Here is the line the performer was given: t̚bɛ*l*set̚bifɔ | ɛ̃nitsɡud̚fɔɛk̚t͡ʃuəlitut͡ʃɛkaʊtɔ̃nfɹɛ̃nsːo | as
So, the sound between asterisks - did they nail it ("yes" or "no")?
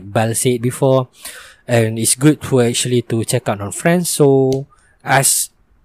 yes